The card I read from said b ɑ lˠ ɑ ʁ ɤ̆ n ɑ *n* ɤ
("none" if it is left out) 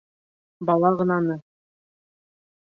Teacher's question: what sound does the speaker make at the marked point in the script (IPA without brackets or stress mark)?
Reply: n